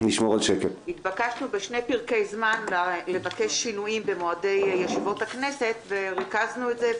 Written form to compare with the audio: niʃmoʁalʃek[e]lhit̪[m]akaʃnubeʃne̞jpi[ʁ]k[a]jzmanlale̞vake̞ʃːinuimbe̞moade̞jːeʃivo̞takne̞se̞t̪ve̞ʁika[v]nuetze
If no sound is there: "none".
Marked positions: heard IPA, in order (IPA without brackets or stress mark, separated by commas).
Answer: e, b, ʁ, e, z